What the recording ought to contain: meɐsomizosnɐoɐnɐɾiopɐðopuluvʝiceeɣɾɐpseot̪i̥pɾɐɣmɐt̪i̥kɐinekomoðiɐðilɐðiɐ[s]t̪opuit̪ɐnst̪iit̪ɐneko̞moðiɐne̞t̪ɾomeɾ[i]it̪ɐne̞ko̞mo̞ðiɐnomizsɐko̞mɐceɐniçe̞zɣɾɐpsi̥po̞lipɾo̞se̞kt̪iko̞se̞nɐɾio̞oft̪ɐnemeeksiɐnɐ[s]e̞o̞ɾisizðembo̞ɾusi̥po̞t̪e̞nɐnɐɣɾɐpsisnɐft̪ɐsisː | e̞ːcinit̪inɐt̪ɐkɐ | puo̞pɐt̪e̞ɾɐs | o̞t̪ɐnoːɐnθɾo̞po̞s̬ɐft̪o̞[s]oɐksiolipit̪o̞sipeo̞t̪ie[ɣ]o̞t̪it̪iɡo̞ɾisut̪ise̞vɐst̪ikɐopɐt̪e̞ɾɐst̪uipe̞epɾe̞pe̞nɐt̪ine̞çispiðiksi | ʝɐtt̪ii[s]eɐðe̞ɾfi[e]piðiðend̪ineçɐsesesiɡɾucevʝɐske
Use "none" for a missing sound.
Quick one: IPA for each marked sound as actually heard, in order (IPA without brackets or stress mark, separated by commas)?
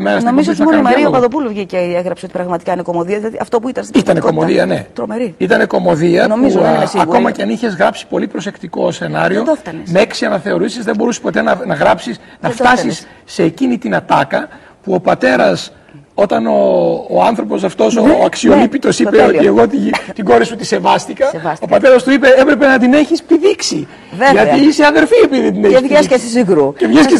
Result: f, i, θ, s, ɣ, s, e